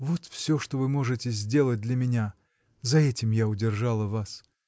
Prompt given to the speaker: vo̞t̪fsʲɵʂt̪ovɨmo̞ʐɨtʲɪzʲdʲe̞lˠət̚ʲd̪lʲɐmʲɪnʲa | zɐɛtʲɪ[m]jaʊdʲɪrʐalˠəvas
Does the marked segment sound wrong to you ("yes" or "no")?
no